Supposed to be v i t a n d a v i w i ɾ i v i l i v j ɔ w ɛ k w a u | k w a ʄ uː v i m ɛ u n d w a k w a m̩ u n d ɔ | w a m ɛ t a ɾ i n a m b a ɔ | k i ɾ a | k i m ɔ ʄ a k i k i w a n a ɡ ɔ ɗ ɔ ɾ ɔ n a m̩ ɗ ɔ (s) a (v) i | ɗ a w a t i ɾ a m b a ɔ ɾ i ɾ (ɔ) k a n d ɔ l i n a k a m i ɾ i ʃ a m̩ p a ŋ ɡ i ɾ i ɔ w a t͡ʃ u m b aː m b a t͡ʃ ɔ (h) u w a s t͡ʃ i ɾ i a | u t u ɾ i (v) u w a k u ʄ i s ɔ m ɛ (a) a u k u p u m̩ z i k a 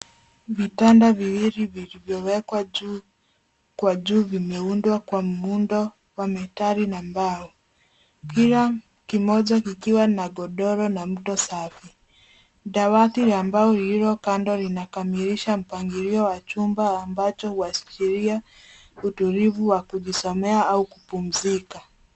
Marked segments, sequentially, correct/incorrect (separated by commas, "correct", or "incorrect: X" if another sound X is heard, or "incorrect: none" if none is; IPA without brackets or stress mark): correct, incorrect: f, correct, correct, correct, correct